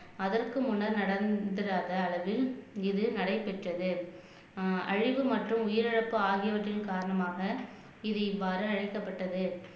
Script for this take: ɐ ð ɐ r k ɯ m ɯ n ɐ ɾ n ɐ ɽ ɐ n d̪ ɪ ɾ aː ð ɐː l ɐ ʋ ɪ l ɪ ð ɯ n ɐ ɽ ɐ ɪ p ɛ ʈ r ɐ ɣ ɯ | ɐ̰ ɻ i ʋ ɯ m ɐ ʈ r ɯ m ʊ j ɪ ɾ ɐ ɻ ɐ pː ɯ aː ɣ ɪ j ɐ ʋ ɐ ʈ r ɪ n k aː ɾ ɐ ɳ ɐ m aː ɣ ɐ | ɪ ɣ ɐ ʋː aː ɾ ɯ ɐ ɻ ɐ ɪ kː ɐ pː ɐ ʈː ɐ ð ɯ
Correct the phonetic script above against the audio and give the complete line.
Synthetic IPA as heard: ɐ ð ɐ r k ɯ m ʊ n ɐ ɾ n ɐ ɽ ɐ n d̪ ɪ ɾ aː ð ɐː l ɐ ʋ ɪ l ɪ ð ɯ n ɐ ɽ ɐ ɪ p ɛ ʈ r ɐ ð ɯ | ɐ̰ ɻ ɪ ʋ ɯ m ɐ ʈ r ɯ m ʊ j ɪ ɾ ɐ ɻ ɐ pː ɯ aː ɣ ɪ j ɐ ʋ ɐ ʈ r ɪ n k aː ɾ ɐ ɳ ɐ m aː ɣ ɐ | ɪ ð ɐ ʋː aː ɾ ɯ ɐ ɻ ɐ ɪ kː ɐ pː ɐ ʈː ɐ ð ɯ